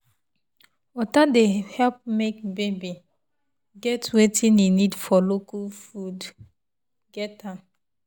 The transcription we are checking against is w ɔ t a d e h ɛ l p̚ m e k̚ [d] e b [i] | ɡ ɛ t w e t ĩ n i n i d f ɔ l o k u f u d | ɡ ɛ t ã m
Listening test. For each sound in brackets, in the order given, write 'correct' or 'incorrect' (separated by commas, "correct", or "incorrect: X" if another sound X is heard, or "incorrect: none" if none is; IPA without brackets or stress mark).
incorrect: b, correct